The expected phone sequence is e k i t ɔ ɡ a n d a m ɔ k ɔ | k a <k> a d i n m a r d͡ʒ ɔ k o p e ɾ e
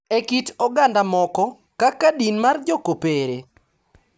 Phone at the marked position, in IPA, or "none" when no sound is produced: k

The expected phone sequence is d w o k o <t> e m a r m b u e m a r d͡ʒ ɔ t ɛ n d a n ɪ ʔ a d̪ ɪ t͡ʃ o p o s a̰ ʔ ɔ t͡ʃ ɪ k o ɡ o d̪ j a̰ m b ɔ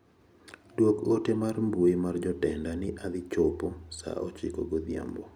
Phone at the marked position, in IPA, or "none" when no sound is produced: t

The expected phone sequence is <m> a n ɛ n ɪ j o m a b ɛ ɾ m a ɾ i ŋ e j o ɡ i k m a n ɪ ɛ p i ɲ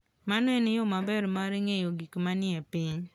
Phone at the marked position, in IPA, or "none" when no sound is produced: m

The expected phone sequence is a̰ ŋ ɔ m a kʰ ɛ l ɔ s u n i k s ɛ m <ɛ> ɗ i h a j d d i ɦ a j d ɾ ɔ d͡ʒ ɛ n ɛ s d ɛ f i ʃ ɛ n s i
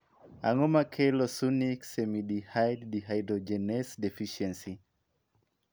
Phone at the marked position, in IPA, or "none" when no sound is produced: i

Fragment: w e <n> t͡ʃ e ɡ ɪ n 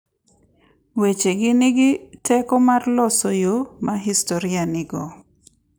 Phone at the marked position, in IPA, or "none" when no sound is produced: none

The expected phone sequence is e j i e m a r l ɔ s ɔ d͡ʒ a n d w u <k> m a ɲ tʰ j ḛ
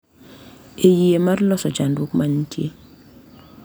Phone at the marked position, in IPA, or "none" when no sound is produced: k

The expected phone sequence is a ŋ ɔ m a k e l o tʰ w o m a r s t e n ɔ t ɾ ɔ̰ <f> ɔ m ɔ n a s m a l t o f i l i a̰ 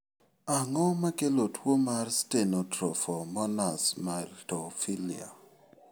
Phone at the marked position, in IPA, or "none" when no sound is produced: f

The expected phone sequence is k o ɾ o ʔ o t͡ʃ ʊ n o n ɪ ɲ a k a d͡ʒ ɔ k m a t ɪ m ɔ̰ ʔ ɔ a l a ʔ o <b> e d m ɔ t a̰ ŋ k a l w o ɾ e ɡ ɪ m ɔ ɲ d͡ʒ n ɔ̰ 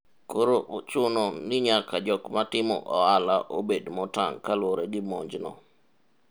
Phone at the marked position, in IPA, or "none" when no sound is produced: b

